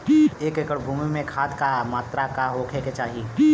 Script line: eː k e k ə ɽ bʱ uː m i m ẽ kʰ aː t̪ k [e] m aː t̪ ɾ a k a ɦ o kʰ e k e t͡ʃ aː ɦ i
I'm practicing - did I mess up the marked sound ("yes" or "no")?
yes